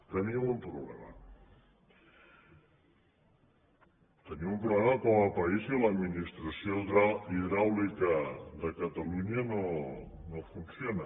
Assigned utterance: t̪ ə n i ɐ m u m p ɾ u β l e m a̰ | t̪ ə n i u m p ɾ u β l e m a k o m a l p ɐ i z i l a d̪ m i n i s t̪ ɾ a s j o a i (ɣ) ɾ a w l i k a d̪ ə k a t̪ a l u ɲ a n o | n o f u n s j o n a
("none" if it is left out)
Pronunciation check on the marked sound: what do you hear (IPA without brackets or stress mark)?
ð